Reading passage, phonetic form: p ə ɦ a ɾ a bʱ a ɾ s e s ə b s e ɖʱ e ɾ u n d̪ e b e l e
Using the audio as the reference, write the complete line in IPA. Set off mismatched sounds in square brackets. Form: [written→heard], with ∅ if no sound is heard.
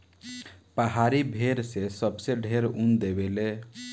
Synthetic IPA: p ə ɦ a ɾ [a→i] bʱ [a→e] ɾ s e s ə b s e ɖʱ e ɾ u n d̪ e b e l e

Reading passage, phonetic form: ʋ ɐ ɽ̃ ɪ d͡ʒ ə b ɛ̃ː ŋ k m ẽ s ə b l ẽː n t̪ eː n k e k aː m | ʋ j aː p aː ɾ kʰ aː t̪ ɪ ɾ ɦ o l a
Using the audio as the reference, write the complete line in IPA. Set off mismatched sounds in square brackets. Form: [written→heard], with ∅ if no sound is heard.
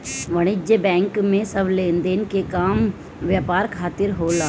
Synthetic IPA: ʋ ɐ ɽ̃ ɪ d͡ʒ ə b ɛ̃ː ŋ k m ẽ s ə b l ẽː n [t̪→d̪] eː n k e k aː m | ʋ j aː p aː ɾ kʰ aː t̪ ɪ ɾ ɦ o l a

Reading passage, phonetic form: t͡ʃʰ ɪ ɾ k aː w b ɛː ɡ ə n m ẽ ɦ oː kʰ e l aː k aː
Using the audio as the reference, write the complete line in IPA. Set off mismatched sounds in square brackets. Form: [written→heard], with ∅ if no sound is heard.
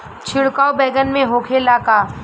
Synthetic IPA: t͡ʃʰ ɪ [ɾ→ɽ] k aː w b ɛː ɡ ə n m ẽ ɦ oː kʰ e l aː k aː

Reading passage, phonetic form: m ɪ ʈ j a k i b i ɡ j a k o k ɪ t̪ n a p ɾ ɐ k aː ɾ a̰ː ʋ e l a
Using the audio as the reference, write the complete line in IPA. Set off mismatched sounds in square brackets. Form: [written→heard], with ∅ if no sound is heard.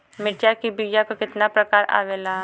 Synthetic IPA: m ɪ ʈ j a k i b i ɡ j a k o k ɪ t̪ n a p ɾ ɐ k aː ɾ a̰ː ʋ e l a

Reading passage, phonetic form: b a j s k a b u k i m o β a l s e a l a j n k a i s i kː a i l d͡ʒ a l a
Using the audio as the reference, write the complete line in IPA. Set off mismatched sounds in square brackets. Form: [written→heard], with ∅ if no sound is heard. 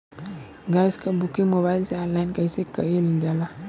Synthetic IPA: [b→ɡ] a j s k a b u k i m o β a l s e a l a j n k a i s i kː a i l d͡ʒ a l a

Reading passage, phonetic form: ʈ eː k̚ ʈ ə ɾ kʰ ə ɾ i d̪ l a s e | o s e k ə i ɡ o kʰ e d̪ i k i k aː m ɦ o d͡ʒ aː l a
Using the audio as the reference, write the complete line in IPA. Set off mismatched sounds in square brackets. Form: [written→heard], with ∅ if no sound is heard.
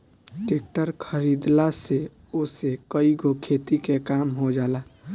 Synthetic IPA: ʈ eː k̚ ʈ ə ɾ kʰ ə ɾ i d̪ l a s e | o s e k ə i ɡ o kʰ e [d̪→t̪] i k [i→e] k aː m ɦ o d͡ʒ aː l a

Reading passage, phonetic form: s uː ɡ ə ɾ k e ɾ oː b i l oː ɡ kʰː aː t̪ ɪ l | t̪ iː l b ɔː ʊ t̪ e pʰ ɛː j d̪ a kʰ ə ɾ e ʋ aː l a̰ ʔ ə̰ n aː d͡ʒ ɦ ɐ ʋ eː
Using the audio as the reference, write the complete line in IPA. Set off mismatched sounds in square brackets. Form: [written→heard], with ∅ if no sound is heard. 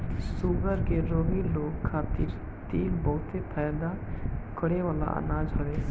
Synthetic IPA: s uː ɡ ə ɾ k e ɾ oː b i l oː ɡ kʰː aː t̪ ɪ [l→ɾ] | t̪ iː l b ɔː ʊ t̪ e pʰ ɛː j d̪ a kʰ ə [ɾ→ɽ] e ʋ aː l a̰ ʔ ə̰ n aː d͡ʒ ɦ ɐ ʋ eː

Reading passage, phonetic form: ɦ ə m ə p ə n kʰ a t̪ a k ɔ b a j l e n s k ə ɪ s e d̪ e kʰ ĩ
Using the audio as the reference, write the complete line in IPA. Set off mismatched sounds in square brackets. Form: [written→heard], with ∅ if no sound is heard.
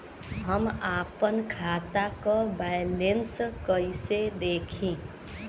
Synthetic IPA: ɦ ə m [ə→a] p ə n kʰ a t̪ a k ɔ b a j l e n s k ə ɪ s e d̪ e kʰ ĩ

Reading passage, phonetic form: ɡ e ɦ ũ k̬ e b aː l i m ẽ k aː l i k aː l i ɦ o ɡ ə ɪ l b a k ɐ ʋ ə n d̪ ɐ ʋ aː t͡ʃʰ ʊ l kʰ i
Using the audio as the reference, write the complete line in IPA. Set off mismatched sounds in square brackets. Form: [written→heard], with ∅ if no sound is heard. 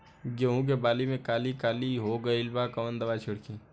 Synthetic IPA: ɡ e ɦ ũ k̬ e b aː l i m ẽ k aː l i k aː l i ɦ o ɡ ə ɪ l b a k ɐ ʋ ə n d̪ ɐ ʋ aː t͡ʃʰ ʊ [l→ɽ] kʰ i

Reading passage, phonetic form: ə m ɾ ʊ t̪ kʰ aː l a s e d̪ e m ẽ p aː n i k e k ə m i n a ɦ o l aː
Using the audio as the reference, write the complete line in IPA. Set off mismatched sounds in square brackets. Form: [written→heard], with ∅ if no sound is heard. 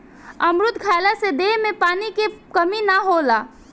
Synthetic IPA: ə m ɾ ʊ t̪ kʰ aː l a s e d̪ e m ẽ p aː n i k e k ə m i n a ɦ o l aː

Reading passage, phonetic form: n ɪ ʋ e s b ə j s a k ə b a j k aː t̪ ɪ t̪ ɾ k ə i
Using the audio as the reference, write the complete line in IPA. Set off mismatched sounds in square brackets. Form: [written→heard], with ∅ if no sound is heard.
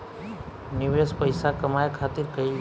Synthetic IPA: n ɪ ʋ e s [b→p] ə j s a k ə [b→m] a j [k→kʰ] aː t̪ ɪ [t̪→∅] ɾ k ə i

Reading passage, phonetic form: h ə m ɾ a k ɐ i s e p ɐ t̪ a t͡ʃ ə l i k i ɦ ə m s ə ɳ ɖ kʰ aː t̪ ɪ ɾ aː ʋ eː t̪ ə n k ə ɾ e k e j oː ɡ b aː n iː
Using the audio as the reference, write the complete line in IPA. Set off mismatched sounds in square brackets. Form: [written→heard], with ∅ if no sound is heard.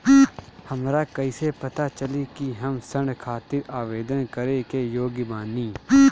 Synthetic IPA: h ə m ɾ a k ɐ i s e p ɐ t̪ a t͡ʃ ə l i k i ɦ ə m s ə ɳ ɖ kʰ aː t̪ ɪ ɾ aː ʋ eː [t̪→d̪] ə n k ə ɾ e k e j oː ɡ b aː n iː

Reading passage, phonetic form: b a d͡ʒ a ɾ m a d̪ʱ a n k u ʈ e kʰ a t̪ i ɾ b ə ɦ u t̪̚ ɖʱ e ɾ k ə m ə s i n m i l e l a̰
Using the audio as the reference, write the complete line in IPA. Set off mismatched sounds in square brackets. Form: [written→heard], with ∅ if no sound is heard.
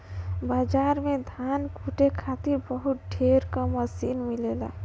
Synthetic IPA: b a d͡ʒ a ɾ m [a→e] d̪ʱ a n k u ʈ e kʰ a t̪ i ɾ b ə ɦ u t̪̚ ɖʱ e ɾ k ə m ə s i n m i l e l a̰

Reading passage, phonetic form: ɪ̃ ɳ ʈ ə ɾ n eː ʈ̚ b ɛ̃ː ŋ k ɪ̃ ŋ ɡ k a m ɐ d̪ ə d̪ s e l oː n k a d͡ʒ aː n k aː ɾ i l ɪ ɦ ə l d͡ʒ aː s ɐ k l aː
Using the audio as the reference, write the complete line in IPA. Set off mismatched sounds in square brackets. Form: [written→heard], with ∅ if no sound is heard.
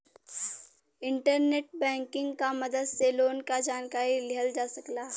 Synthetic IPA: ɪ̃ ɳ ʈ ə ɾ n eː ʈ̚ b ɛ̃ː ŋ k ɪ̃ ŋ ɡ k a m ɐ d̪ ə d̪ s e l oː n k a d͡ʒ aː n k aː ɾ i l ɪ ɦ ə l d͡ʒ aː s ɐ k l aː

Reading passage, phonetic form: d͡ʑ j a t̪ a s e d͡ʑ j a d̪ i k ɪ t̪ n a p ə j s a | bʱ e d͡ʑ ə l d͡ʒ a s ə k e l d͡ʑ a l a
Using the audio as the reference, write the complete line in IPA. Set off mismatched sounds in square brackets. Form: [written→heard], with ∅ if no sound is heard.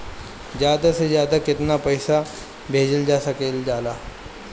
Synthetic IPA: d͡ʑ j a [t̪→d̪] a s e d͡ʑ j a d̪ [i→a] k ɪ t̪ n a p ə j s a | bʱ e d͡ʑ ə l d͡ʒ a s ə k e l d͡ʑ a l a

